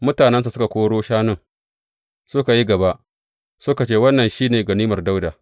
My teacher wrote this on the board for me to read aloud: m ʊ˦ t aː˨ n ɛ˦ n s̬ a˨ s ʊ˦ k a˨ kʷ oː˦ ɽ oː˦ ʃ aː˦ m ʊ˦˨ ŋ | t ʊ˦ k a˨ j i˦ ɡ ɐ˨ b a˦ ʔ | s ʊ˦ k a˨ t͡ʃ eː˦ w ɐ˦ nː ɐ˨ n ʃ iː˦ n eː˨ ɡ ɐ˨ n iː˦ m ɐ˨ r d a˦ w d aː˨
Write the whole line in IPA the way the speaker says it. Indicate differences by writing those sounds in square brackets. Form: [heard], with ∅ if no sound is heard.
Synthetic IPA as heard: m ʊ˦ t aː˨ n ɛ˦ n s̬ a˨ s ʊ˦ k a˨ kʷ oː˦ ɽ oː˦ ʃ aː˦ [n] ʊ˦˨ ŋ | [s] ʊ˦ k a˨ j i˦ ɡ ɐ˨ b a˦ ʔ | s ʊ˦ k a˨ t͡ʃ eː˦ w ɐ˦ nː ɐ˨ n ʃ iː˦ n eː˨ ɡ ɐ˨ n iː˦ m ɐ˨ r d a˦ w d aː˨